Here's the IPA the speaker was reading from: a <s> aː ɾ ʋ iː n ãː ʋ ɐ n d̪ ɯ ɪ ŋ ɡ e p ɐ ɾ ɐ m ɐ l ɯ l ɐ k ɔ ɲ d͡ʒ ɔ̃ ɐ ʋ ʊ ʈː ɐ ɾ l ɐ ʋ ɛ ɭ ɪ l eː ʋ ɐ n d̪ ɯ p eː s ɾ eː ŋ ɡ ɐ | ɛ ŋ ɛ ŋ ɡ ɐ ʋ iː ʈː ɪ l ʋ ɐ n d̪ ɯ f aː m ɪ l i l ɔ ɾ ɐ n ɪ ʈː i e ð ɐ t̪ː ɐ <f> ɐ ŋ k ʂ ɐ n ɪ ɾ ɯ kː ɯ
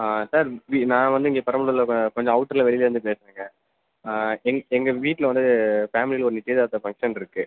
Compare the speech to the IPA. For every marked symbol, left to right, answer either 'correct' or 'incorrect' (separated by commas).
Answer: correct, correct